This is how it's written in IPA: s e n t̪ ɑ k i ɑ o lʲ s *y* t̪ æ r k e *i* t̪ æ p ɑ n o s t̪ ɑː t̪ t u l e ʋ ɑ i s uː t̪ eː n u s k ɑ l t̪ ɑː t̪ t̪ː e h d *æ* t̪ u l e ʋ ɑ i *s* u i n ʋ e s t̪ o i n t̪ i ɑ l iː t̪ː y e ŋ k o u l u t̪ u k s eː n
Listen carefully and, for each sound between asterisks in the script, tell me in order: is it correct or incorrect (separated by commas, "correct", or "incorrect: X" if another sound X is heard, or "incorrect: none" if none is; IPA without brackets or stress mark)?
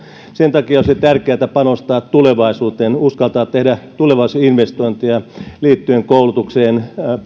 incorrect: i, incorrect: æ, correct, correct